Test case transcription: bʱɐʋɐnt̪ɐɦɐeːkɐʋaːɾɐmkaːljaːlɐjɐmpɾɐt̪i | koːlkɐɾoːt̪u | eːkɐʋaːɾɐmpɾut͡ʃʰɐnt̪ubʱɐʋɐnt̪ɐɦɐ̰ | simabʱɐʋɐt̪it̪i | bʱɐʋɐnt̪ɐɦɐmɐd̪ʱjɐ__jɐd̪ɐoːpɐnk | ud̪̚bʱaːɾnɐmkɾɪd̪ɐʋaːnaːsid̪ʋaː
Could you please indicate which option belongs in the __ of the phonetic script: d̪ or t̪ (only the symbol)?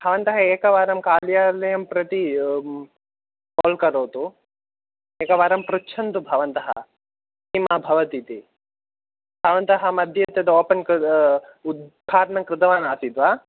t̪